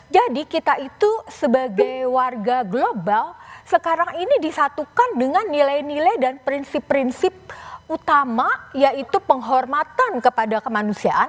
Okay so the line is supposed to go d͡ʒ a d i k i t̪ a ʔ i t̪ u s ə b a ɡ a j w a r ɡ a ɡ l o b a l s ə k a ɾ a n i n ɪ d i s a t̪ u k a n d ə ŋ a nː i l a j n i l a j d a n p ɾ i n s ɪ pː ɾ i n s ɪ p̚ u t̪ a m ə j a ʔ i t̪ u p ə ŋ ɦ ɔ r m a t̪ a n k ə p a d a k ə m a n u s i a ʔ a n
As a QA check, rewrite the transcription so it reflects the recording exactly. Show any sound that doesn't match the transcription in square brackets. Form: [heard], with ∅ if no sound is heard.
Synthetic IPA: d͡ʒ a d i k i t̪ a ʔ i t̪ u s ə b a ɡ a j w a r ɡ a ɡ l o b a l s ə k a ɾ a [ŋ] i n [i] d i s a t̪ u k a n d ə ŋ a nː i l a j n i l a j d a n p ɾ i n s ɪ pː ɾ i n s ɪ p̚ u t̪ a m [a] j a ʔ i t̪ u p ə ŋ ɦ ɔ r m a t̪ a n k ə p a d a k ə m a n u s i a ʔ a n